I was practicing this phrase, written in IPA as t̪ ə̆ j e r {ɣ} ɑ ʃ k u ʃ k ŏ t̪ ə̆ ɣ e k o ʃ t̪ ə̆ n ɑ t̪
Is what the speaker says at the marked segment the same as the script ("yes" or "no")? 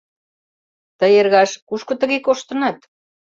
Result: yes